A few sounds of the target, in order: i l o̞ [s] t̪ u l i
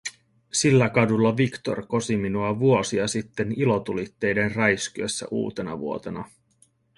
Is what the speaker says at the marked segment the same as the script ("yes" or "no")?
no